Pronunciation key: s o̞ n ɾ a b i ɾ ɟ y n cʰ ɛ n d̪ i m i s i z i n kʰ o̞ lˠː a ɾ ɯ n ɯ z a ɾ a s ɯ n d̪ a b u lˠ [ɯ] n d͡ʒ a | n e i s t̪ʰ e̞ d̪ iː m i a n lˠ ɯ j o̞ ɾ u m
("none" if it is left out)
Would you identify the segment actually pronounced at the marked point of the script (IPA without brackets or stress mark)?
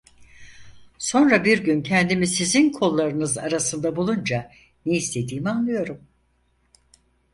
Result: u